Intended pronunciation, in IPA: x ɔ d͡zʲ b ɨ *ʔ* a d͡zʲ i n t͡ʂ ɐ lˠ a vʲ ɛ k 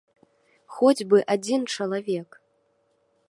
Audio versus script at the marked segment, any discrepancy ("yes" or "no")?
no